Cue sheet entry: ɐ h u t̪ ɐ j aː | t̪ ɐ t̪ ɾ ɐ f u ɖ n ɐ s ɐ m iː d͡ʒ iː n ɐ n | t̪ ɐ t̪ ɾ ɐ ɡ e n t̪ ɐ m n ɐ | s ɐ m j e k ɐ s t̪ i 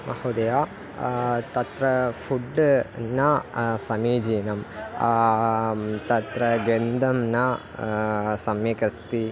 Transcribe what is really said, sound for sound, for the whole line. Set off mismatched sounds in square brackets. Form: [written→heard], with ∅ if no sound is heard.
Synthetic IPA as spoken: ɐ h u [t̪→d̪] ɐ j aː | t̪ ɐ t̪ ɾ ɐ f u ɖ n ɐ s ɐ m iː d͡ʒ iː n ɐ [n→m] | t̪ ɐ t̪ ɾ ɐ ɡ e n [t̪→d̪] ɐ m n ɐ | s ɐ m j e k ɐ s t̪ i